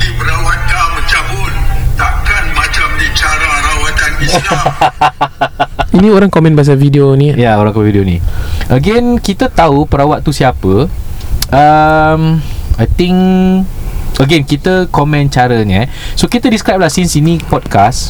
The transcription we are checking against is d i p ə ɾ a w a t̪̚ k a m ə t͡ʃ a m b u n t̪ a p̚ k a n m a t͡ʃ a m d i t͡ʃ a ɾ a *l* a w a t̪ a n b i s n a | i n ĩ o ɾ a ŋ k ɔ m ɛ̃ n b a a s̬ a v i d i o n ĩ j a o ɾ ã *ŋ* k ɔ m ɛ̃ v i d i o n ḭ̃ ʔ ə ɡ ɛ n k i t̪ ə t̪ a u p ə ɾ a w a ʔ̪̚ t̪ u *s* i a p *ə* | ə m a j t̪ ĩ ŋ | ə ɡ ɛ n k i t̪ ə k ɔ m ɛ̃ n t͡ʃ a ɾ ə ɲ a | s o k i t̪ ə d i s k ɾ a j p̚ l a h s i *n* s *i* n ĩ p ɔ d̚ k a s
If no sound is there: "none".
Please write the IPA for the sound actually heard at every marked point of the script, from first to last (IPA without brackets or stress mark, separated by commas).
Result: ɾ, ŋ, s, ə, n, i